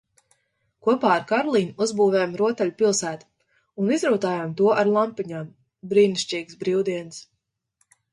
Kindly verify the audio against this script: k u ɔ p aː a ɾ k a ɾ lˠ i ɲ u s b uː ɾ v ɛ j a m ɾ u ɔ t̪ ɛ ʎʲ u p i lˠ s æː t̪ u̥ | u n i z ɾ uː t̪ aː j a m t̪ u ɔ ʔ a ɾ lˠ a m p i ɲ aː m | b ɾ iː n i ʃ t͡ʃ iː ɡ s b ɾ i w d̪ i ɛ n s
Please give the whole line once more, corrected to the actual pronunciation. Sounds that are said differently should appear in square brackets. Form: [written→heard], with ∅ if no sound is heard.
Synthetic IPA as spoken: k u ɔ p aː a ɾ k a ɾ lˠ i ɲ u [s→z] b uː [ɾ→∅] v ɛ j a m ɾ u ɔ t̪ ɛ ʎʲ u p i lˠ s æː t̪ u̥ | u n i z ɾ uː t̪ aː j a m t̪ u ɔ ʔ a ɾ lˠ a m p i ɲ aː m | b ɾ iː n i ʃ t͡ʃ iː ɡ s b ɾ i w d̪ i ɛ n s